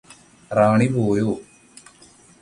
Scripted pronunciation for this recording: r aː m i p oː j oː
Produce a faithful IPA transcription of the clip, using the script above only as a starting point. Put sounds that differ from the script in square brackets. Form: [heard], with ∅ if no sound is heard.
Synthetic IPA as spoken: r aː [ɳ] i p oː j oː

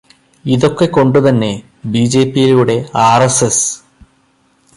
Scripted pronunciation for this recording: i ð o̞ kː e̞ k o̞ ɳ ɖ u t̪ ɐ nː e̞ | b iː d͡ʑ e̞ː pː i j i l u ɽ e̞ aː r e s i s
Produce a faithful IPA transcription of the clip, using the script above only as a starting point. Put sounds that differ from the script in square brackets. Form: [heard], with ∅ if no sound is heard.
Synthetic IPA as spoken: i ð o̞ kː e̞ k o̞ ɳ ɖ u t̪ ɐ nː e̞ | b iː d͡ʑ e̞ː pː i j i l u ɽ e̞ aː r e s [e] s

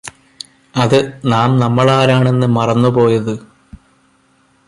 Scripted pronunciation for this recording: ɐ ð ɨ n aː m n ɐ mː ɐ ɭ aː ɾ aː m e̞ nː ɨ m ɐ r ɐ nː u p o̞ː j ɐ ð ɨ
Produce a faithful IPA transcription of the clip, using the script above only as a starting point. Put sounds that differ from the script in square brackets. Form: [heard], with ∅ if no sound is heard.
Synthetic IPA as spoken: ɐ ð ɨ n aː m n ɐ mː ɐ ɭ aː ɾ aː [ɳ] e̞ nː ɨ m ɐ r ɐ nː u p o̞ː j ɐ ð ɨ

